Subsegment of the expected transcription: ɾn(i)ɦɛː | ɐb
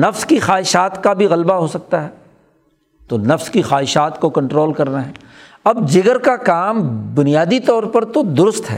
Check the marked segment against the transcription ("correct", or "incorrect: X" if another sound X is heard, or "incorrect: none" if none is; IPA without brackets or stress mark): incorrect: a